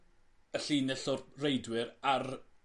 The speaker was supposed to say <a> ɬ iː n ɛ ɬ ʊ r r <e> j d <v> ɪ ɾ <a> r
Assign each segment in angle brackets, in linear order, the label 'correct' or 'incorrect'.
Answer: incorrect: ə, correct, incorrect: w, correct

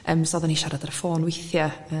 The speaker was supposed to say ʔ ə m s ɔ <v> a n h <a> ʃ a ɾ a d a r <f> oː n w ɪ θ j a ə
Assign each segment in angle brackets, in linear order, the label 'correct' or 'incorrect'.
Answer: incorrect: ð, incorrect: i, correct

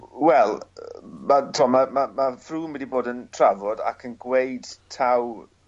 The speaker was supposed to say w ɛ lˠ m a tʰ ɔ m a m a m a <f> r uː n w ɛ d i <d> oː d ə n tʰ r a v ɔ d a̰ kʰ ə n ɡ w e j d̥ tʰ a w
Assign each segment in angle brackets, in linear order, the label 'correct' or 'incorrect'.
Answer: correct, incorrect: b

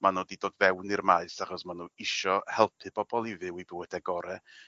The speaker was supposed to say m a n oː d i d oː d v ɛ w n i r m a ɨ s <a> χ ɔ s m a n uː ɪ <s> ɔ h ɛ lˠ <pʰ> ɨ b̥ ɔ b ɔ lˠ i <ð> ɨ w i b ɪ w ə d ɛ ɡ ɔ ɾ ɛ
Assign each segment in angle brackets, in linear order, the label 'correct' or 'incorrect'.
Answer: correct, incorrect: ʃ, correct, incorrect: v

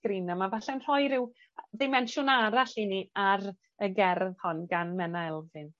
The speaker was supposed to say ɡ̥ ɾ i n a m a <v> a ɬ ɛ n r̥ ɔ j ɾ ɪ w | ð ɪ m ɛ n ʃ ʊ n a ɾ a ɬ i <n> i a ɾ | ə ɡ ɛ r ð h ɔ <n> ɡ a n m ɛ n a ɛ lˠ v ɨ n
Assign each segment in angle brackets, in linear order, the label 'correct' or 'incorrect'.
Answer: correct, correct, correct

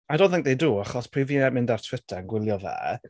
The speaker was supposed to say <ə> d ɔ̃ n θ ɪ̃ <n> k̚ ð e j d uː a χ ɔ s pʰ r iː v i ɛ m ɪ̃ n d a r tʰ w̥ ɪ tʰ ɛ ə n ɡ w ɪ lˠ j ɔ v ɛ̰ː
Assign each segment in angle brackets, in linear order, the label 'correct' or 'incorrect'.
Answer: incorrect: a, incorrect: ŋ

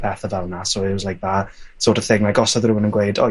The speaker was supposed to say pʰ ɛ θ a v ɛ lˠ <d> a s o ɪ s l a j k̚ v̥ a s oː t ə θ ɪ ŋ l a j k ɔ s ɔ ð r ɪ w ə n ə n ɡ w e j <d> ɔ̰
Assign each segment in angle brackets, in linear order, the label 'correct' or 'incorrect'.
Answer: incorrect: n, correct

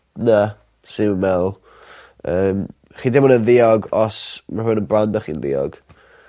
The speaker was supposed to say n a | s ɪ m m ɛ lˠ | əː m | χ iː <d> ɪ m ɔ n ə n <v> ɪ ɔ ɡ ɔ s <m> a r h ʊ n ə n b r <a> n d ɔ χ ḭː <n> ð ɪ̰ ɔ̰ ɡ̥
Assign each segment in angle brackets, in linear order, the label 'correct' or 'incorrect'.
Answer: correct, incorrect: ð, correct, correct, correct

